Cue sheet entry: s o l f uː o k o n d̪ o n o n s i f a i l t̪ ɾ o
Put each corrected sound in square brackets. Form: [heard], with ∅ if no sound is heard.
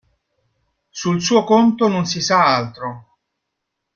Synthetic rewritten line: s [u] l [s] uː o k o n [t̪] o n o n s i [s] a [a] l t̪ ɾ o